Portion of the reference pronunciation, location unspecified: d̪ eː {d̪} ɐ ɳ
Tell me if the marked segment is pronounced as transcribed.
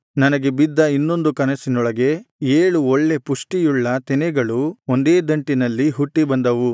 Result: yes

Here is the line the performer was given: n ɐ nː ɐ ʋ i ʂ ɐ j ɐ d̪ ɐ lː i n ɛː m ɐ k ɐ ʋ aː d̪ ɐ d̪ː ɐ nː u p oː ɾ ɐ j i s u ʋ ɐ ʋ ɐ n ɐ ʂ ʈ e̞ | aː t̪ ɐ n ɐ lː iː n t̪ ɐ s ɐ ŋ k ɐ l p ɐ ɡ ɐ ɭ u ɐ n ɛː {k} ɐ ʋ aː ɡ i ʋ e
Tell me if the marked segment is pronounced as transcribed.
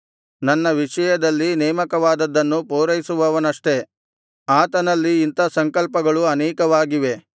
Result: yes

